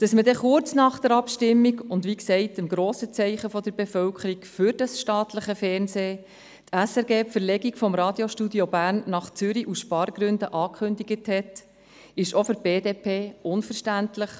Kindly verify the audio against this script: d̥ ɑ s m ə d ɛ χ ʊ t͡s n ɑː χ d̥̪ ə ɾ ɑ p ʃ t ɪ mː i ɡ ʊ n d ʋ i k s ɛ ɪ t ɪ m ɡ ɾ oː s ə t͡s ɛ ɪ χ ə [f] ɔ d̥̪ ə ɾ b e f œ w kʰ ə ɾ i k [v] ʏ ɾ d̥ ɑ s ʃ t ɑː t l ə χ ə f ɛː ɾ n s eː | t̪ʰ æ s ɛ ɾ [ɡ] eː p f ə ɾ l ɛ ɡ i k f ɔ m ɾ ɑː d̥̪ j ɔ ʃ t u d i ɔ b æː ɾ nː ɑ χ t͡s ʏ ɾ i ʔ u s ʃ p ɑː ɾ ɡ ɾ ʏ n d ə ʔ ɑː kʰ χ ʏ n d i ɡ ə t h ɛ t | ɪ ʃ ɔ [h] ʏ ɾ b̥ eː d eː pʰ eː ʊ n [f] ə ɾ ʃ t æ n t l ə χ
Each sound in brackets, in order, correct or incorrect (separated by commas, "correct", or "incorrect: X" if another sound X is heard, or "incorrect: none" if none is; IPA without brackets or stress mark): correct, incorrect: f, correct, incorrect: f, correct